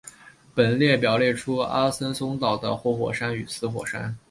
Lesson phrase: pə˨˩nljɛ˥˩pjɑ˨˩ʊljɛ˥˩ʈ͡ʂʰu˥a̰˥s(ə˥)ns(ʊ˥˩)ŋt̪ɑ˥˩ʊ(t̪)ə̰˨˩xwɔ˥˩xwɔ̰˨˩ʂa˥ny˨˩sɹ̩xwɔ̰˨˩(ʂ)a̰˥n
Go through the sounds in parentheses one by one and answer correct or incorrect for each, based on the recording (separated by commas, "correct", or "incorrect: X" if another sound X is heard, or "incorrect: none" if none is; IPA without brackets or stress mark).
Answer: correct, incorrect: ʊ˥, incorrect: d̪, correct